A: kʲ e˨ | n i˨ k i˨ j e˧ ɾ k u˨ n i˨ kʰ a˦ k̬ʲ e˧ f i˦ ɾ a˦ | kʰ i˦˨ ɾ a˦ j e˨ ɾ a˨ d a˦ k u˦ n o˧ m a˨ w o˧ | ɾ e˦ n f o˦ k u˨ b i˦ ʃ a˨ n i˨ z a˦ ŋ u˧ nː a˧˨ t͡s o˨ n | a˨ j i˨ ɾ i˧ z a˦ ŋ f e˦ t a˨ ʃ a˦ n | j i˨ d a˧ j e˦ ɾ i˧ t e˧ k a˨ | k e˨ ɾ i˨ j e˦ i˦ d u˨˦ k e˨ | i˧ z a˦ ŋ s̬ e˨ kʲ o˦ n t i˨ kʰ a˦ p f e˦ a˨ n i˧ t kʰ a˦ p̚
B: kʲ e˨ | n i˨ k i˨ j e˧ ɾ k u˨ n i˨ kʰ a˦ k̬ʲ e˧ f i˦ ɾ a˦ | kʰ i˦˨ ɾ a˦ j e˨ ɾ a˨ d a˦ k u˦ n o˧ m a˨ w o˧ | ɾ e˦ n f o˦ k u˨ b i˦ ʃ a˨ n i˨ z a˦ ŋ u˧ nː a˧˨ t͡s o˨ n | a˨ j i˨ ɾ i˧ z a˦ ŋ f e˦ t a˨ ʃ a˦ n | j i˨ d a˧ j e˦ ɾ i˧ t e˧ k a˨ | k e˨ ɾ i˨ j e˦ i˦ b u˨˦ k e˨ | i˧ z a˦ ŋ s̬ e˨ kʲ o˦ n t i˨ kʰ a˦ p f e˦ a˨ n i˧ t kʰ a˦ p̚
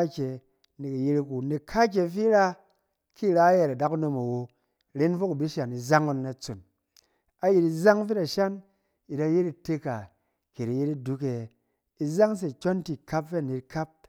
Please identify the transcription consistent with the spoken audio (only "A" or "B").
A